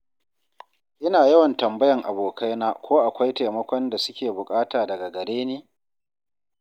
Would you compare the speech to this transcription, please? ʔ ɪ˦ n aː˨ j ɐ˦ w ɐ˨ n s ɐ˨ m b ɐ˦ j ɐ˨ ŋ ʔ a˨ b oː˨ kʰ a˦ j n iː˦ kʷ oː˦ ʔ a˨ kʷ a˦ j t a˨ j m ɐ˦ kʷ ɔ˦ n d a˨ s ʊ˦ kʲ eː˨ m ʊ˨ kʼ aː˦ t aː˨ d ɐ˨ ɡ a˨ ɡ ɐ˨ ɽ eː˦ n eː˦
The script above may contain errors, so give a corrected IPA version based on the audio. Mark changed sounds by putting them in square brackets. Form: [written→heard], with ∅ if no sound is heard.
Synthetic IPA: ʔ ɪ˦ n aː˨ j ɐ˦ w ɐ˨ n [s→t] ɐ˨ m b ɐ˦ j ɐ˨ ŋ ʔ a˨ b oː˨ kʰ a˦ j n [iː˦→aː˦] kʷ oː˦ ʔ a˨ kʷ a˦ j t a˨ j m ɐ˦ kʷ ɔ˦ n d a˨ s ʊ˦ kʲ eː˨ [m→b] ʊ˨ kʼ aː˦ t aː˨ d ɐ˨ ɡ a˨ ɡ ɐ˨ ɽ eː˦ n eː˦